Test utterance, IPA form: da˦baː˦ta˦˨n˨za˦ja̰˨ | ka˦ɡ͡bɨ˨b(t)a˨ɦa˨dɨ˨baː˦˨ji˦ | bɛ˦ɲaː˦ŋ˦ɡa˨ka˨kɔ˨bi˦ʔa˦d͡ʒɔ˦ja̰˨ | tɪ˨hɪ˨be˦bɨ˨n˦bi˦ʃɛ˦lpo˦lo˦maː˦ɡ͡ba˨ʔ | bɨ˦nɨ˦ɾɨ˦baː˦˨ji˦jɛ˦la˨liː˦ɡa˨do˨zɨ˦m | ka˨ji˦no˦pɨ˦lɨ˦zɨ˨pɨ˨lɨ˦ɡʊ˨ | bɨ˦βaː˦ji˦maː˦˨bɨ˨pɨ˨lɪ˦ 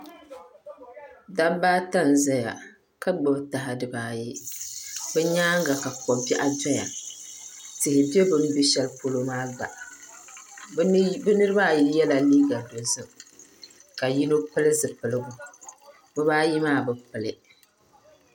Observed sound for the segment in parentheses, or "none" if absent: t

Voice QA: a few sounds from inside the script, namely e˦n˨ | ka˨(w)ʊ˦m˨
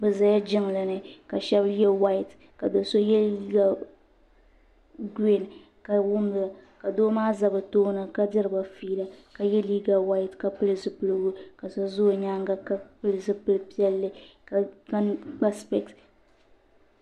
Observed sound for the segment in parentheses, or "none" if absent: w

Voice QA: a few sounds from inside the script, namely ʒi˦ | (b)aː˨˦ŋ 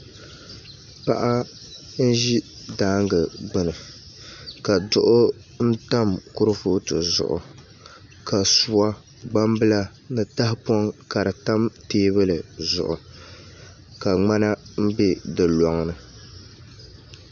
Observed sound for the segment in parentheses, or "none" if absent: d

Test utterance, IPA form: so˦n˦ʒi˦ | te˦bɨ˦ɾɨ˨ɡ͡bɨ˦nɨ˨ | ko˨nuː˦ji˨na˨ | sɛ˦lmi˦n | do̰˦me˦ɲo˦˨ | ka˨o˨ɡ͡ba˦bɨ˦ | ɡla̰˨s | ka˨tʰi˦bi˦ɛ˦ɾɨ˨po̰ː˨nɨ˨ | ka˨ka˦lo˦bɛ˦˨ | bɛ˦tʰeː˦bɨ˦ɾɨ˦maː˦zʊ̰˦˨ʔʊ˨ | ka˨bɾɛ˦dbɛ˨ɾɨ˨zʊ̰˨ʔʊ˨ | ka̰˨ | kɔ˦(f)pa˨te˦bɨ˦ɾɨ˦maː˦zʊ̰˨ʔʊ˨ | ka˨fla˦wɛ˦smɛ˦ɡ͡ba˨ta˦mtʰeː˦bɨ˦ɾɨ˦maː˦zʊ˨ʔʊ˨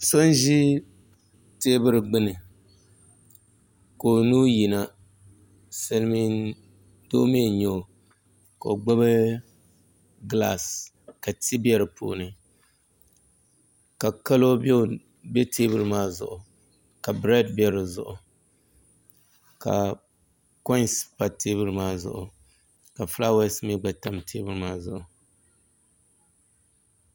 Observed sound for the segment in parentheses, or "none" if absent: s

